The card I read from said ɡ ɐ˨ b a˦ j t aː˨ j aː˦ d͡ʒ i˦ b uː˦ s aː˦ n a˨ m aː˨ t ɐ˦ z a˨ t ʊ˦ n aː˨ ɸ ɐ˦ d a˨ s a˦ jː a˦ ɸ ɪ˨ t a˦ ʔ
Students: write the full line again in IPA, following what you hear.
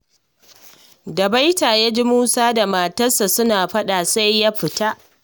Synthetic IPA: d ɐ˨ b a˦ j t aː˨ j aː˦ d͡ʒ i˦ m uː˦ s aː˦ d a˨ m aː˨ t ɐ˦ s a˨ s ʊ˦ n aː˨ ɸ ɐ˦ ɗ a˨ s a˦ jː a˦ ɸ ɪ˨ t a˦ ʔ